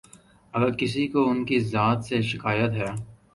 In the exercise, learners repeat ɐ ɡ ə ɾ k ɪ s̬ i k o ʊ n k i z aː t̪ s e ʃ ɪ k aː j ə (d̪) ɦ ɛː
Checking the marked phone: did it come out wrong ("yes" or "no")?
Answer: yes